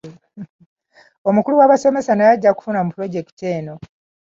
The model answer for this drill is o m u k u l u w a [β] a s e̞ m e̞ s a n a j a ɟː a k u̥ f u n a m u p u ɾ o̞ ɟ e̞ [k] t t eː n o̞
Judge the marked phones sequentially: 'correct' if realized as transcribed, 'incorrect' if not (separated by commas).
correct, correct